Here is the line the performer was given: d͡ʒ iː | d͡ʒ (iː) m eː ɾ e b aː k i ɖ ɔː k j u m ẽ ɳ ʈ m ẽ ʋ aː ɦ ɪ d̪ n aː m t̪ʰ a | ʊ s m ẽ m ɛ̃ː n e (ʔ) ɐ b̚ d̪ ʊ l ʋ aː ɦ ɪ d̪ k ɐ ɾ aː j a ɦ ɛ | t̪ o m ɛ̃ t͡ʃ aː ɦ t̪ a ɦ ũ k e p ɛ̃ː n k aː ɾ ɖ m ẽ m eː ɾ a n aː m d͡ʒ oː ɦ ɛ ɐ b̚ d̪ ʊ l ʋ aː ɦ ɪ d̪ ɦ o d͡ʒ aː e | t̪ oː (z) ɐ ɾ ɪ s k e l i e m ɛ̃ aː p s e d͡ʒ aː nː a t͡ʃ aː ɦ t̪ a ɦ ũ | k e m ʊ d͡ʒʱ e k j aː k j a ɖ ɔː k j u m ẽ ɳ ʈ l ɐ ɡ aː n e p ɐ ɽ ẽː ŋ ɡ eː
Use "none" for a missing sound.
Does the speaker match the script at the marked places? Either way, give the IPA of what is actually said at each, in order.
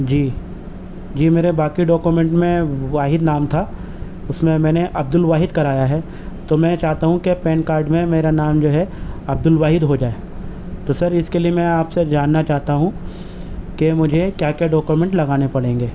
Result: iː, ʔ, s

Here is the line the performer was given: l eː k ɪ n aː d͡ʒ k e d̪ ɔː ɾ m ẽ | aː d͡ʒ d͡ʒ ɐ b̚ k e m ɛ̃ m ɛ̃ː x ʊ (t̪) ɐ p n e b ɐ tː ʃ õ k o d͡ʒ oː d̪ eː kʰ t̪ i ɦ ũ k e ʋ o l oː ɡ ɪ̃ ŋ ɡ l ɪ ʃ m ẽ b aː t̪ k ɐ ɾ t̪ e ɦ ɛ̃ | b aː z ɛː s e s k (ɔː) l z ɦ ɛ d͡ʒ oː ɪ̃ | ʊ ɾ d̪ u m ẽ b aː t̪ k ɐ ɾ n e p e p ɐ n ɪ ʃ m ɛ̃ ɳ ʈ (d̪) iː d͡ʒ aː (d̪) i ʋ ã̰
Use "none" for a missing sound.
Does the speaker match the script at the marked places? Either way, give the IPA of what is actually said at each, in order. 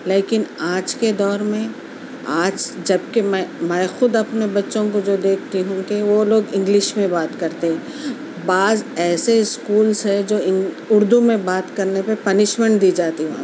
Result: d̪, uː, d̪, t̪

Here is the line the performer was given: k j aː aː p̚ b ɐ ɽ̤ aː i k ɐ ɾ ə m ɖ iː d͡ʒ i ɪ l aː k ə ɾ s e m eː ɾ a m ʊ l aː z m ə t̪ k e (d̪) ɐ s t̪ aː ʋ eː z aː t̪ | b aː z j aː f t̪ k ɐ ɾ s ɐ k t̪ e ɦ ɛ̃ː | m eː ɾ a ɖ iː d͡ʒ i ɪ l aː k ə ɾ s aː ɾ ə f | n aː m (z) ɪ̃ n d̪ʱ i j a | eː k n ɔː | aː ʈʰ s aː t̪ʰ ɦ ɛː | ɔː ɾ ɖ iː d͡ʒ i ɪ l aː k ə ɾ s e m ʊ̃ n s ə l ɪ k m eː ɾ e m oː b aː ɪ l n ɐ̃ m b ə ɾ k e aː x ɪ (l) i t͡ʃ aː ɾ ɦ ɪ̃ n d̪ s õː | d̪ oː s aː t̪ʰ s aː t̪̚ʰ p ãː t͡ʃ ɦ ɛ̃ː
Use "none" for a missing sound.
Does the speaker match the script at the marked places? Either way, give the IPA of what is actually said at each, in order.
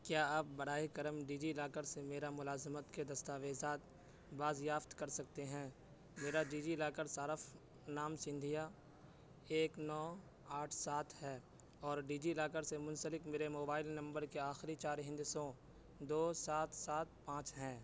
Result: d̪, s, ɾ

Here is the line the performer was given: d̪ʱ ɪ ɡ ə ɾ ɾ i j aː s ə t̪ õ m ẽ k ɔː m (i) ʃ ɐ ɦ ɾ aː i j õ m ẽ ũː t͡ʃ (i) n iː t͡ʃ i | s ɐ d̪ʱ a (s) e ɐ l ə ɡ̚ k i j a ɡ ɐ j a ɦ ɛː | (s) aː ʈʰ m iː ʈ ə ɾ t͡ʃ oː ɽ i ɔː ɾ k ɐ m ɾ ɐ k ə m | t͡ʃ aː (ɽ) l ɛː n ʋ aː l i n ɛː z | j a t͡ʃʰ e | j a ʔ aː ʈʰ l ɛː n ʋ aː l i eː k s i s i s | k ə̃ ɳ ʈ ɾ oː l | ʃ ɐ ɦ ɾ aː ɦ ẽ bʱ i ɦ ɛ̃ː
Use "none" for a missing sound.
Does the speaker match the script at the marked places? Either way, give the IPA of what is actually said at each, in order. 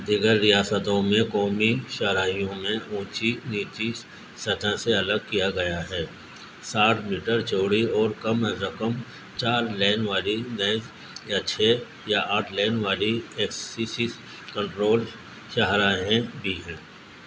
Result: i, i, s, s, ɾ

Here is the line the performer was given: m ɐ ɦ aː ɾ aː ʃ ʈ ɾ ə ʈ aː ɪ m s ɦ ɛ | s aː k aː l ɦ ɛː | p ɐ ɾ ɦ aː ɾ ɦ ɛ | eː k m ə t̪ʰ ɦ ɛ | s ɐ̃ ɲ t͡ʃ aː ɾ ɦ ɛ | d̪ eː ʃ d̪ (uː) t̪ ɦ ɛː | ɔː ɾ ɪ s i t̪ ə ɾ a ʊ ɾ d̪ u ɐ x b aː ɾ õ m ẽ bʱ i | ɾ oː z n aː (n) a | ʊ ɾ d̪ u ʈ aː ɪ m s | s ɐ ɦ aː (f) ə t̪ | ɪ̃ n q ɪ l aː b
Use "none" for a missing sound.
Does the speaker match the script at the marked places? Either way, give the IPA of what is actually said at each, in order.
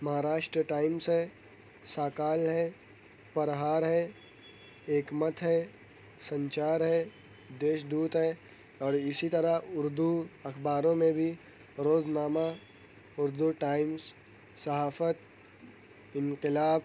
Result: uː, m, f

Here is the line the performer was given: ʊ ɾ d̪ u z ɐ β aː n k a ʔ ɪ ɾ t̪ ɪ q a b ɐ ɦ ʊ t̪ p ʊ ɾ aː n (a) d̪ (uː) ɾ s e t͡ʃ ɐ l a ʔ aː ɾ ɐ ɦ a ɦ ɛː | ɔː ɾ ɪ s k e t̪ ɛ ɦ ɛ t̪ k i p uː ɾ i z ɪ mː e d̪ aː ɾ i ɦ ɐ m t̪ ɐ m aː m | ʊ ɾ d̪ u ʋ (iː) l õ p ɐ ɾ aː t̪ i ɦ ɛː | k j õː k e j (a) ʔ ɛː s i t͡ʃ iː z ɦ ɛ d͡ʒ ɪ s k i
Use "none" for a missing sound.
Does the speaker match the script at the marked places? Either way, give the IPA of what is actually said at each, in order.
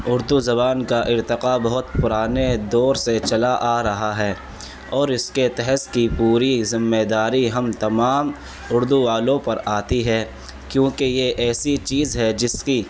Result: e, ɔː, aː, e

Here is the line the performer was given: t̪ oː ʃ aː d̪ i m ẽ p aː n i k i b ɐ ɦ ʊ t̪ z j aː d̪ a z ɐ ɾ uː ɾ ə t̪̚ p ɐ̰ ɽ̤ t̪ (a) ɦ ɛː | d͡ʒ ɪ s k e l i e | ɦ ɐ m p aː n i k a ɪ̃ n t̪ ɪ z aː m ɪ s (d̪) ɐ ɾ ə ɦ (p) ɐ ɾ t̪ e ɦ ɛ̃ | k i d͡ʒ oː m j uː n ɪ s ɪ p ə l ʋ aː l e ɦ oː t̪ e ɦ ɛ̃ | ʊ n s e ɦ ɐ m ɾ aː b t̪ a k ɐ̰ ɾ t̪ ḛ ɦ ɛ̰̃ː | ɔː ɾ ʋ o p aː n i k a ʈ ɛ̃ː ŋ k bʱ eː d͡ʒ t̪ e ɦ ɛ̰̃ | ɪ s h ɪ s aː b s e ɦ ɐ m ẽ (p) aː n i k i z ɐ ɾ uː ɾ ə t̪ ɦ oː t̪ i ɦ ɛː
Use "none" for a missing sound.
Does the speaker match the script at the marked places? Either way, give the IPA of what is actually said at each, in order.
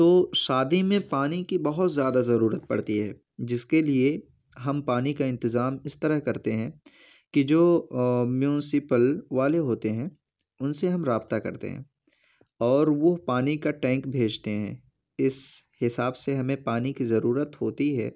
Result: i, t̪, k, p

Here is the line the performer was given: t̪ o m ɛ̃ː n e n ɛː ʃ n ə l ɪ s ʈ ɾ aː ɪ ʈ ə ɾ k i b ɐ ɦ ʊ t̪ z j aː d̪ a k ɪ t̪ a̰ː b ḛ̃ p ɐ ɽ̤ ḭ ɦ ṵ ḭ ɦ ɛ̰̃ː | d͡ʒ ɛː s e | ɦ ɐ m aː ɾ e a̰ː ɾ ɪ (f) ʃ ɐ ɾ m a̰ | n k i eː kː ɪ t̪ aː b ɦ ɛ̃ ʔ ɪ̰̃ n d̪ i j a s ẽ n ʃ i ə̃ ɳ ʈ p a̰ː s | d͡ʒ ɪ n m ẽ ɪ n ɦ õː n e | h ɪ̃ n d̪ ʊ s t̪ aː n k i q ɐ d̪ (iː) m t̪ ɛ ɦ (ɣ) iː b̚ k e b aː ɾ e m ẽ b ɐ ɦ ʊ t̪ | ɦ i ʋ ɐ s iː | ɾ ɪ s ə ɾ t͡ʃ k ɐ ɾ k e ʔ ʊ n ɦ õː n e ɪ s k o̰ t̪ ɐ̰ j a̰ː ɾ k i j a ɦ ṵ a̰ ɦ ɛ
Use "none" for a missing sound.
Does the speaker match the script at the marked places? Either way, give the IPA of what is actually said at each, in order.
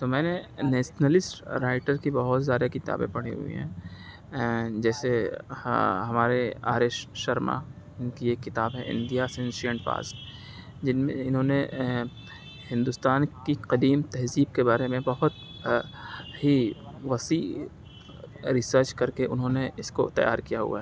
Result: ʃ, iː, z

